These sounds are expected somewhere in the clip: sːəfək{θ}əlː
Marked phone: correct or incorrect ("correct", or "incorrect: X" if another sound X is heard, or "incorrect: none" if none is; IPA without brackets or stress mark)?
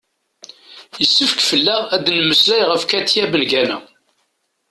incorrect: f